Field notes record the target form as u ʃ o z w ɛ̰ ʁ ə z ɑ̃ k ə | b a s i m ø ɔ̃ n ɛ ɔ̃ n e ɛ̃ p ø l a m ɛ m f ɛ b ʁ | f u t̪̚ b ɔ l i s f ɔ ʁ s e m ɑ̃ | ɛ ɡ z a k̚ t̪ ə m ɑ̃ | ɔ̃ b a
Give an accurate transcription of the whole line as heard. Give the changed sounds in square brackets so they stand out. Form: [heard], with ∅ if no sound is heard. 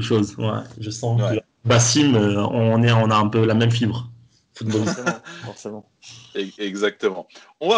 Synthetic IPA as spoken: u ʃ o z w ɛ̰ [ʒ] ə [s] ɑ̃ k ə | b a s i m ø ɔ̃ n ɛ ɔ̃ n [a] ɛ̃ p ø l a m ɛ m f [i] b ʁ | f u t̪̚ b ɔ l i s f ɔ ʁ s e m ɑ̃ | ɛ ɡ z a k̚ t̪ ə m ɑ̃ | ɔ̃ [v] a